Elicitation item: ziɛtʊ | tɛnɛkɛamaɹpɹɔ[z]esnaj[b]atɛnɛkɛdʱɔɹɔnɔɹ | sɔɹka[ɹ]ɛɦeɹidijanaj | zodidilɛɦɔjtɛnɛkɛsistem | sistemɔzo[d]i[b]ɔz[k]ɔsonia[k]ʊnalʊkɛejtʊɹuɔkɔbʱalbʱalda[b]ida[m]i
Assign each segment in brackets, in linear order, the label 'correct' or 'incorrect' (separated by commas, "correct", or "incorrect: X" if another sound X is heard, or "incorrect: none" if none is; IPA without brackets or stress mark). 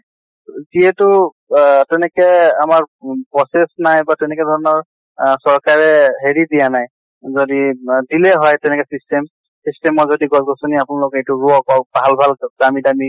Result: incorrect: s, correct, correct, correct, incorrect: ɡ, incorrect: ɡ, incorrect: p, incorrect: m, correct